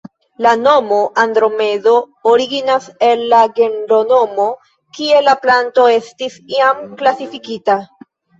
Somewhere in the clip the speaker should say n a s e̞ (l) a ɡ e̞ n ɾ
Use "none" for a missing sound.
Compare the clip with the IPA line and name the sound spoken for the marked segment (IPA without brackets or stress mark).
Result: lː